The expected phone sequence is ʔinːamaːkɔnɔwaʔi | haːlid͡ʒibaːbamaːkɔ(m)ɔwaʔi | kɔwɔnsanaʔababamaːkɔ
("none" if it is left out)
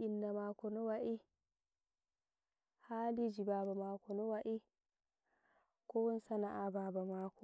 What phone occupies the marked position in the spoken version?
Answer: n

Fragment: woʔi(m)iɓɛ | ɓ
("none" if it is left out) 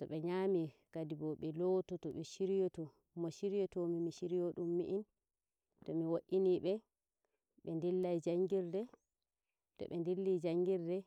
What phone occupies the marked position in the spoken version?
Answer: n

